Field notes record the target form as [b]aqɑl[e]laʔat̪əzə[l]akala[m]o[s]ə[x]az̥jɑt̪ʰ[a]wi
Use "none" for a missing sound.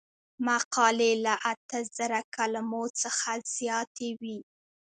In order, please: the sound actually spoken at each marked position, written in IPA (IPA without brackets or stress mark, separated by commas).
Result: m, e, ɾ, m, t͡s, x, e